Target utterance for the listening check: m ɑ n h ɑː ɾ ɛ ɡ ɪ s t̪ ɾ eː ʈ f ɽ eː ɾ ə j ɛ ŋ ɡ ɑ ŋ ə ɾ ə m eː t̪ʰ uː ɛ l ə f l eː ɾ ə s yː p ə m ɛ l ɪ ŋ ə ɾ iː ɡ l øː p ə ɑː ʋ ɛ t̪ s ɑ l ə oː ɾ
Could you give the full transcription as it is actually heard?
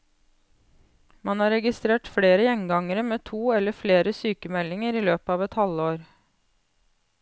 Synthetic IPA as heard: m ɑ n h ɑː ɾ ɛ ɡ ɪ s t̪ ɾ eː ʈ f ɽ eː ɾ ə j ɛ ŋ ɡ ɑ ŋ ə ɾ ə m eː t̪ʰ uː ɛ l ə f l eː ɾ ə s yː k ə m ɛ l ɪ ŋ ə ɾ iː l øː p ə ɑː ʋ ɛ t̪ h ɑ l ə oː ɾ